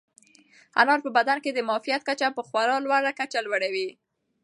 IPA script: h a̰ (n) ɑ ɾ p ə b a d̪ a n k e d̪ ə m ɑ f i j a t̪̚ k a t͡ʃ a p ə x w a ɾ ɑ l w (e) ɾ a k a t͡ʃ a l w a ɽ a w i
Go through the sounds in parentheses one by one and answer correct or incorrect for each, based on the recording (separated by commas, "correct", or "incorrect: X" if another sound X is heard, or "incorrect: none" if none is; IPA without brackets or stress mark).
correct, incorrect: a